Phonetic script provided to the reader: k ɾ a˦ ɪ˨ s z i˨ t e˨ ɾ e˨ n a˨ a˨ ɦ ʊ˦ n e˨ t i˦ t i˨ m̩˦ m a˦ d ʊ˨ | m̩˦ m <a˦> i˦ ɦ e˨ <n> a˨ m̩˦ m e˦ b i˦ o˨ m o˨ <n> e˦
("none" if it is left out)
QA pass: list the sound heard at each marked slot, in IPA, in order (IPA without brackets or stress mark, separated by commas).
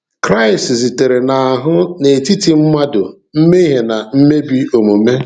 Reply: e˦, n, m